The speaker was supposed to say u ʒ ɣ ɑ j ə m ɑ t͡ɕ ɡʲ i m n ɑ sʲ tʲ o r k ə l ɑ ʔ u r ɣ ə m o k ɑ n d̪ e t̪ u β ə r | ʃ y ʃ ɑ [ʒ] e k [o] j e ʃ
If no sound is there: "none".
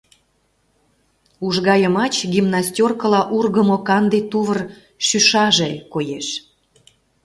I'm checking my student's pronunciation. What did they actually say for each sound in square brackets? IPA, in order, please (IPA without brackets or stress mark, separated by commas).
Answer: ʒ, o